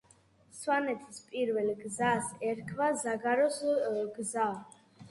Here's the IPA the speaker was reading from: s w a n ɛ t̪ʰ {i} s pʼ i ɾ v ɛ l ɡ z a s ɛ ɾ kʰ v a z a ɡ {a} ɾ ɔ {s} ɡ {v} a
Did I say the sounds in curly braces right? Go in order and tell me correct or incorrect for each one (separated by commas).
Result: correct, correct, correct, incorrect